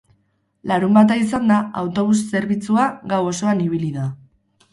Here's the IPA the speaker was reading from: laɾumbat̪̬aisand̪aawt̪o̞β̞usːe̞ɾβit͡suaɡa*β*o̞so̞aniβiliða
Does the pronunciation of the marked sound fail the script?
yes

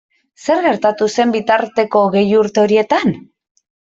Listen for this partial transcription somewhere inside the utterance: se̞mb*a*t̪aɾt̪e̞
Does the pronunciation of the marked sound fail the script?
yes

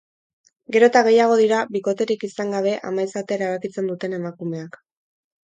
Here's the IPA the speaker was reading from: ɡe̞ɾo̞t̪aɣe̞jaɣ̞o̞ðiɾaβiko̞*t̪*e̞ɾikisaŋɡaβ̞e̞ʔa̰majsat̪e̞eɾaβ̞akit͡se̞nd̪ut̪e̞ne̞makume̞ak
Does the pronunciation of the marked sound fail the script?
no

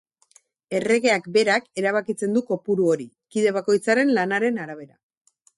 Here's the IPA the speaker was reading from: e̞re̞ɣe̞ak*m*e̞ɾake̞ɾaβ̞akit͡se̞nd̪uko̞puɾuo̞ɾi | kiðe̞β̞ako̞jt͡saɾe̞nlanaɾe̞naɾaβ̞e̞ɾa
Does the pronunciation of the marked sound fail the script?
yes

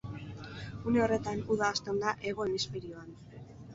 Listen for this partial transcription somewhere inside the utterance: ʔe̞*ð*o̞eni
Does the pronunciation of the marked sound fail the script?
yes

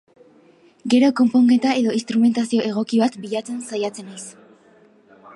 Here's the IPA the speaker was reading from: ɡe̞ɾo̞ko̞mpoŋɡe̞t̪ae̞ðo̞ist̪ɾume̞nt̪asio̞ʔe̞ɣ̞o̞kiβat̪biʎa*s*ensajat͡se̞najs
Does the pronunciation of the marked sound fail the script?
yes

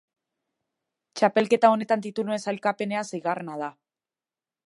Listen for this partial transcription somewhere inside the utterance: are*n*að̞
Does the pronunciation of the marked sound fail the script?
no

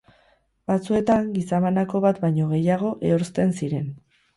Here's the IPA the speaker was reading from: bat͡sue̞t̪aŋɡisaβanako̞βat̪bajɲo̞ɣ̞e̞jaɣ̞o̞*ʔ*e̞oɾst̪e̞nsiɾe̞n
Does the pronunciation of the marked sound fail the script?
no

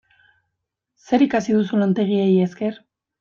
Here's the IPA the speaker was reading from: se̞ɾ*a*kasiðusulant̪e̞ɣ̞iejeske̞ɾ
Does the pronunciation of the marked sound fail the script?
yes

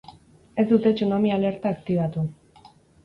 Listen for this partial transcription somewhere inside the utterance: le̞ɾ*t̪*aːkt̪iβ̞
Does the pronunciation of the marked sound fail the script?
no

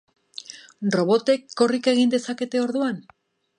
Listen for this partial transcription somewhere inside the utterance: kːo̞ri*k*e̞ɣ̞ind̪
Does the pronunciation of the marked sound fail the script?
no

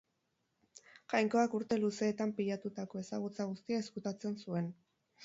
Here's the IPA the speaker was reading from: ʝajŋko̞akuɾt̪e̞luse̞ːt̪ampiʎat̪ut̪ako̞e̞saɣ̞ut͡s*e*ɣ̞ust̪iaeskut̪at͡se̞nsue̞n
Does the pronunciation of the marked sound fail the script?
yes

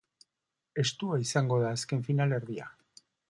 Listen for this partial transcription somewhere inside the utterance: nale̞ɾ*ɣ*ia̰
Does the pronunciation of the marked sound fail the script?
yes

